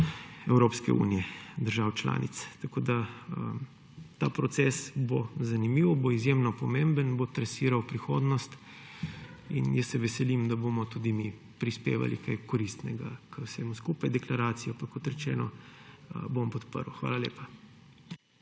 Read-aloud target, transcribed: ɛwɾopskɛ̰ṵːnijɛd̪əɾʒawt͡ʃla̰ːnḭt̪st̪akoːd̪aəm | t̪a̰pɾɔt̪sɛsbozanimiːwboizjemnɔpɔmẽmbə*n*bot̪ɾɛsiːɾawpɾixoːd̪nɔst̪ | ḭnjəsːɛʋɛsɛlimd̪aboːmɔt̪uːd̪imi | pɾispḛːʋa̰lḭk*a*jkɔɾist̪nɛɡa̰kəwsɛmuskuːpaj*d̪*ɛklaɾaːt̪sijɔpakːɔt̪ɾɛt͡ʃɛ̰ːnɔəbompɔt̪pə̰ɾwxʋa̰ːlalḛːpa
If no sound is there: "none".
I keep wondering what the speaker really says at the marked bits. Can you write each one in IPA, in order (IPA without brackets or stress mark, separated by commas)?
n, a, d̪